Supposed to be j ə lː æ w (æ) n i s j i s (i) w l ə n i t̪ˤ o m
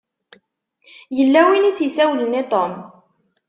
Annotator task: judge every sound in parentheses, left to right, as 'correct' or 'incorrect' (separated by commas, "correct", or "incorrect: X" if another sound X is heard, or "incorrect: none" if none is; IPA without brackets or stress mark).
incorrect: i, incorrect: æ